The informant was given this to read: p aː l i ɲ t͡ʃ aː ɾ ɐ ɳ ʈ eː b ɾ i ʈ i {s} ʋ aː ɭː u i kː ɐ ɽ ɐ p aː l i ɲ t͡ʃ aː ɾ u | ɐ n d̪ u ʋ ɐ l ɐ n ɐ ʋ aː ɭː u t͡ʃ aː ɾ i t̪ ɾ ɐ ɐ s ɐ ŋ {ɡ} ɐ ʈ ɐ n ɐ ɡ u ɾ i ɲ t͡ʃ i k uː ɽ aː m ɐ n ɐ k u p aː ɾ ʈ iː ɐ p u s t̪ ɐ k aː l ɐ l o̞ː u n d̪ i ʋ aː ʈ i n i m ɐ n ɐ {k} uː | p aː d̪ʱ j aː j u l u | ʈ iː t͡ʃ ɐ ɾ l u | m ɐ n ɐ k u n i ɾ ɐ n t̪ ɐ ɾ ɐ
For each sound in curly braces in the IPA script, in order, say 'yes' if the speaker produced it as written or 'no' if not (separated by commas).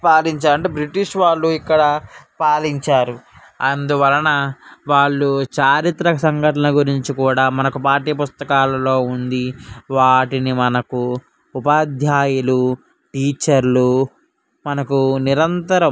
no, yes, yes